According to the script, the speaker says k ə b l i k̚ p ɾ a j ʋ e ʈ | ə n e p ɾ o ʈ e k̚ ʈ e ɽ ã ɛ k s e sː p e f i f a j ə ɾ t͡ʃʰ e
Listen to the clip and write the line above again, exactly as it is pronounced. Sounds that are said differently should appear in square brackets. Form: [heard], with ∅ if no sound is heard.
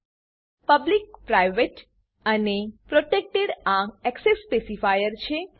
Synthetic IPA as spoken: [p] ə b l i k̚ p ɾ a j ʋ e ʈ | ə n e p ɾ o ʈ e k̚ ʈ e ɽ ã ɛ k s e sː p e [s] i f a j ə ɾ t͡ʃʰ e

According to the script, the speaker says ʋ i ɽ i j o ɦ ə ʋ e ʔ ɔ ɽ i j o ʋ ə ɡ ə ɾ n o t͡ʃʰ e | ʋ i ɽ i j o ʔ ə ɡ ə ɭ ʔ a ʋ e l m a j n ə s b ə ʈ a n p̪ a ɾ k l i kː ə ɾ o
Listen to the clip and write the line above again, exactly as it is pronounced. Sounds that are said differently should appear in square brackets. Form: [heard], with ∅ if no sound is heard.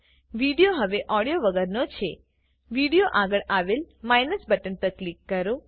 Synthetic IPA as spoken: ʋ i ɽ i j o ɦ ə ʋ e ʔ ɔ ɽ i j o ʋ ə ɡ ə ɾ n o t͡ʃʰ e | ʋ i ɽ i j o ʔ [a] ɡ ə ɭ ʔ a ʋ e l m a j n ə s b ə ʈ [ə] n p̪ [ə] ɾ k l i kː ə ɾ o

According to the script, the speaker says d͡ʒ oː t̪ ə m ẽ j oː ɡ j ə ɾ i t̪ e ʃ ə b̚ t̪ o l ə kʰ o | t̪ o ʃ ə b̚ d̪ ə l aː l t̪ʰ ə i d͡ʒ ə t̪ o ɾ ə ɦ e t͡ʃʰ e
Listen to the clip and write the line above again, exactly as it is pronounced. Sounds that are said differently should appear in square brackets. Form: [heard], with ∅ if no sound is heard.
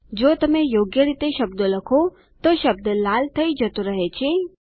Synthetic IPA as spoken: d͡ʒ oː t̪ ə m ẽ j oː ɡ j ə ɾ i t̪ e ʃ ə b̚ [d̪] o l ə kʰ o | t̪ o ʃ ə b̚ d̪ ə l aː l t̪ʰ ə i d͡ʒ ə t̪ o ɾ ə ɦ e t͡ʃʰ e

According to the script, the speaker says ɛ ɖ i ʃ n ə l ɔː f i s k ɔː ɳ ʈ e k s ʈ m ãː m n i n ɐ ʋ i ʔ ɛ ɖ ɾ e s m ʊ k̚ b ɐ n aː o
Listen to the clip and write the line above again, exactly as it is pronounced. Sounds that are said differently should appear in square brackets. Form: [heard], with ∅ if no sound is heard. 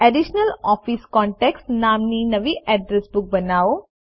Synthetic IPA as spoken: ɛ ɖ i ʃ n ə l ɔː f i s k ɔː ɳ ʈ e k s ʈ [n] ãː m n i n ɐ ʋ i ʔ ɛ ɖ ɾ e s [b] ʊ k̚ b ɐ n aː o

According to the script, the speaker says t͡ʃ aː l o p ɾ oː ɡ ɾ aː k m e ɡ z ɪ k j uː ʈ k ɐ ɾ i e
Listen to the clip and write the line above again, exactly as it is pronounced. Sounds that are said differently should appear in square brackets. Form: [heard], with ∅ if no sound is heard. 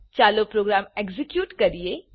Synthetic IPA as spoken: t͡ʃ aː l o p ɾ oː ɡ ɾ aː [∅] m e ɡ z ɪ k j uː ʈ k ɐ ɾ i e

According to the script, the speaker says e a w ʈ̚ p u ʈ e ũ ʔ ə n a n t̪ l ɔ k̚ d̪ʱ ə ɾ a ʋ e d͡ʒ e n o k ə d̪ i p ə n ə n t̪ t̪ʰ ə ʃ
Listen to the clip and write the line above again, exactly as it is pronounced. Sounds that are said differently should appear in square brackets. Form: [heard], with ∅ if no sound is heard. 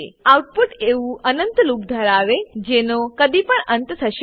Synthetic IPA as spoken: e a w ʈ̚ p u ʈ e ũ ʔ ə n [ə] n t̪ l [u] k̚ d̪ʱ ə ɾ a ʋ e d͡ʒ e n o k ə d̪ i p ə [ɳ] ə n t̪ t̪ʰ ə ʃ

